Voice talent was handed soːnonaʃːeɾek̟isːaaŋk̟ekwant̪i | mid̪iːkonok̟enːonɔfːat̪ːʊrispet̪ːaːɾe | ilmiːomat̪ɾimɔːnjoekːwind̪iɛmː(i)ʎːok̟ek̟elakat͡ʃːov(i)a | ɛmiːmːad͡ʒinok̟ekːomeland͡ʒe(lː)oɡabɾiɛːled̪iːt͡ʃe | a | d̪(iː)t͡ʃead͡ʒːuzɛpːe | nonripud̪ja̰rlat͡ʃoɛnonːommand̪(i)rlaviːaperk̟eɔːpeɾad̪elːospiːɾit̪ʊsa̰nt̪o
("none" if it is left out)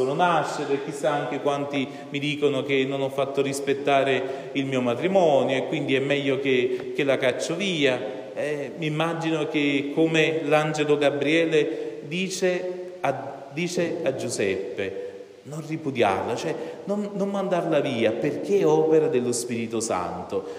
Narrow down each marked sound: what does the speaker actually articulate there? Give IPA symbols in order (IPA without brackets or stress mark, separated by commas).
ɛ, iː, l, iː, a